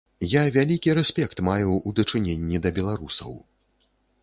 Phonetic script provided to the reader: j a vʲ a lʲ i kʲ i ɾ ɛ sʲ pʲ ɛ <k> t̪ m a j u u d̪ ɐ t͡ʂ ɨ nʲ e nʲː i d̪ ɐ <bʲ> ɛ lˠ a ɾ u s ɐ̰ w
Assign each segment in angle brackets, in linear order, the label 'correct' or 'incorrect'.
correct, correct

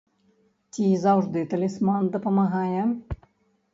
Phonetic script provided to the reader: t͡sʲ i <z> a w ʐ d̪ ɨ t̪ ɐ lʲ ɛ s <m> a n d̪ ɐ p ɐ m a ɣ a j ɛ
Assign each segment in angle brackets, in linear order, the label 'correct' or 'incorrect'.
correct, correct

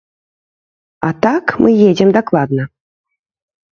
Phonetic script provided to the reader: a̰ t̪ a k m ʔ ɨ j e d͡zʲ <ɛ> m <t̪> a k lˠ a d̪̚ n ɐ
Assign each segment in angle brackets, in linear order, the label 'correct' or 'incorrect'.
correct, incorrect

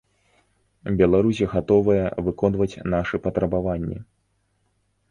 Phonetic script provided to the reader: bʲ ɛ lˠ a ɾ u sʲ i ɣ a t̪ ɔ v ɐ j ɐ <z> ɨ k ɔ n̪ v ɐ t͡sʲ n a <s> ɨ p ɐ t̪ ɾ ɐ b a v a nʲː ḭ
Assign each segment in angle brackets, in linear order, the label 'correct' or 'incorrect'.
incorrect, incorrect

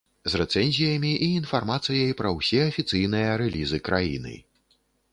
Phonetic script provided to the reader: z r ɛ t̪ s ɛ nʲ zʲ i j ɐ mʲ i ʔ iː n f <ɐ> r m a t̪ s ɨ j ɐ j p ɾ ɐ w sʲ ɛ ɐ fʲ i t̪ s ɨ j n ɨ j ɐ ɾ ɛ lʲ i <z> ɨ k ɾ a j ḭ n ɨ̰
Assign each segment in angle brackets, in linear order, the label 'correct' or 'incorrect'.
incorrect, correct

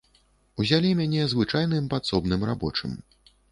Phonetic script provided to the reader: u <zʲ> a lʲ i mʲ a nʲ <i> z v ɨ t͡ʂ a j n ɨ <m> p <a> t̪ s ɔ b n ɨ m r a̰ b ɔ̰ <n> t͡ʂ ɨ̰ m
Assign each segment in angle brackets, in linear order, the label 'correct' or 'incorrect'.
correct, incorrect, correct, correct, incorrect

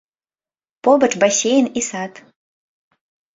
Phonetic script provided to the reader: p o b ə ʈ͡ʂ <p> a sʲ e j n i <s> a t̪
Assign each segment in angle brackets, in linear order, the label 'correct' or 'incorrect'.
incorrect, correct

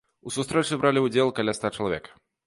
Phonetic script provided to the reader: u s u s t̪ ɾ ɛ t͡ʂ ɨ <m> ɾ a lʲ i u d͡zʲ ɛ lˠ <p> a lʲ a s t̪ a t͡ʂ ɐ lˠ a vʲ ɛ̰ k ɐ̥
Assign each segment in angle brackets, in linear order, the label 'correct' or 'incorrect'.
incorrect, incorrect

